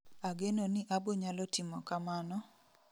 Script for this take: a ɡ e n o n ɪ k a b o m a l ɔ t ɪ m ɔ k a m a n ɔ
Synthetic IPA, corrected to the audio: a ɡ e n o n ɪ ʔ a b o ɲ a l ɔ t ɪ m ɔ k a m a n ɔ